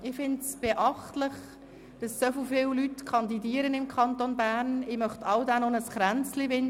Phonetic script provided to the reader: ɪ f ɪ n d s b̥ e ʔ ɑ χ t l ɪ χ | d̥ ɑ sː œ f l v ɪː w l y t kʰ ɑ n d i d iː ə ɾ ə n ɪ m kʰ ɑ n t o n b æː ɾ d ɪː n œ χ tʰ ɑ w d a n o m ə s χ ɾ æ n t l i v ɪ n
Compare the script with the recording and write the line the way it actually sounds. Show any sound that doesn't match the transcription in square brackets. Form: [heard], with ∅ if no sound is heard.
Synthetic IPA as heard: ɪ f ɪ n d s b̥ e ʔ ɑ χ t l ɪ χ | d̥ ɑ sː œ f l [f] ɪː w l y t kʰ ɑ n d i d iː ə ɾ ə n ɪ m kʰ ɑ n t o n b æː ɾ [n] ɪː [m] œ χ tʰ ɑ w d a n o [n] ə s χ ɾ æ n [t͡s] l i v ɪ n

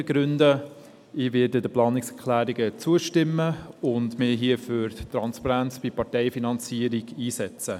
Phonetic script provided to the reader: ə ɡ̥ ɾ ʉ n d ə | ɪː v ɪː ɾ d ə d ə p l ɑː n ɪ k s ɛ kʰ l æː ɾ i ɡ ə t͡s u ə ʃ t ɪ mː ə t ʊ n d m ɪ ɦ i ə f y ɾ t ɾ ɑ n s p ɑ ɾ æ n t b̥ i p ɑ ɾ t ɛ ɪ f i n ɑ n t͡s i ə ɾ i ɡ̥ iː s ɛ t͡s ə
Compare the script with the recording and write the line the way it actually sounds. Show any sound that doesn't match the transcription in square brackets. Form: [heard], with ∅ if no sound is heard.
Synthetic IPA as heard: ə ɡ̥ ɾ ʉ n d ə | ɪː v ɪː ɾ d ə d ə p l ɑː n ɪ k s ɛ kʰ l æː ɾ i ɡ ə t͡s u ə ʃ t ɪ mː ə [∅] ʊ n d m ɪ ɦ i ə f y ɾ t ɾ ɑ n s p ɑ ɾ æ n [t͡s] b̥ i p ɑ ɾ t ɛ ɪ f i n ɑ n t͡s i ə ɾ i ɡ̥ iː s ɛ t͡s ə

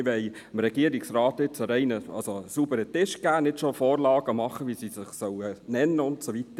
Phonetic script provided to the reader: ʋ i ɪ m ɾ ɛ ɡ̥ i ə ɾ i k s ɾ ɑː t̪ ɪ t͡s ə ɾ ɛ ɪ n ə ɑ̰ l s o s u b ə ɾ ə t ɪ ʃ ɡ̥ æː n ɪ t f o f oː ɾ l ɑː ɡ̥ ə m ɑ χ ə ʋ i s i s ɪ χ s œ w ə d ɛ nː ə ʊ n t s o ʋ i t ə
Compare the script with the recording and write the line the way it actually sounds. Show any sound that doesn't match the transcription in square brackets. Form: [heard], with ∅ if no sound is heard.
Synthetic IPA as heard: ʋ [ɛ] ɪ m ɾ ɛ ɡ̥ i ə ɾ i k s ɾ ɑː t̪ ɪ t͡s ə ɾ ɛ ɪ n ə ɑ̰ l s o s u b ə ɾ ə t ɪ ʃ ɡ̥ æː n ɪ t [ʃ] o f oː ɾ l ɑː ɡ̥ ə m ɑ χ ə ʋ i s i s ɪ χ s œ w ə [n] ɛ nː ə ʊ n t s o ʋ i t ə

